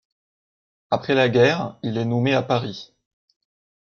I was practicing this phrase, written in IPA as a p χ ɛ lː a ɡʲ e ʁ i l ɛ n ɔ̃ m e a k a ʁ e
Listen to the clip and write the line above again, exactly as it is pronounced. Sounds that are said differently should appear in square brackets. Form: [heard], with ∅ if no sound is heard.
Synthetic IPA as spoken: a p χ ɛ [l] a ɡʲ [ɛ] ʁ i l ɛ n [ɔ] m e a [p] a ʁ [i]